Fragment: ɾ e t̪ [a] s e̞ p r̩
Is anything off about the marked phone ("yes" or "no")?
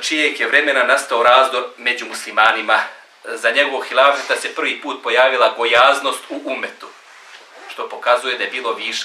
no